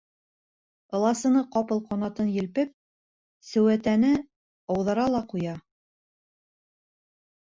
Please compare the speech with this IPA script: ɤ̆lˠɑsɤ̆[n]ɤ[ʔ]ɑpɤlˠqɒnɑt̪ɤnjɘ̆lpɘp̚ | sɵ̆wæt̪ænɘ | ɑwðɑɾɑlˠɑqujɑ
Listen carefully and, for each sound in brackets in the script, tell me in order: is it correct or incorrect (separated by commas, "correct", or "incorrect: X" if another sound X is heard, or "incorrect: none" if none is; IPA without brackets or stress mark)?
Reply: correct, incorrect: q